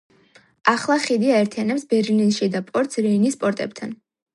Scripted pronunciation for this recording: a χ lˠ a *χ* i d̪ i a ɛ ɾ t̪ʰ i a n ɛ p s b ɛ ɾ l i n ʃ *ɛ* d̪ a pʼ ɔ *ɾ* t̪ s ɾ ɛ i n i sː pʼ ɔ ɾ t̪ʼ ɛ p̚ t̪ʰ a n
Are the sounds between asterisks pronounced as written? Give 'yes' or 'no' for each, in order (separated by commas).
yes, no, yes